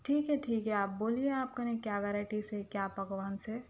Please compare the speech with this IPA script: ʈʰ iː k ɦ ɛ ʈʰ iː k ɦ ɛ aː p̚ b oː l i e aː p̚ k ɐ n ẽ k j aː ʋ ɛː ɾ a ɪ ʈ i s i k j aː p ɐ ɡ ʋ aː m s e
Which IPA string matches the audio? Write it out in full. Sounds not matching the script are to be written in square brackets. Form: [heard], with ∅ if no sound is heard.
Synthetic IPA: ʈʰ iː k ɦ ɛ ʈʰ iː k ɦ ɛ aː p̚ b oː l i e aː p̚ k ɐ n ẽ k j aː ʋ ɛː ɾ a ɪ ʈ i s [e] k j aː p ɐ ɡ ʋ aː [n] s e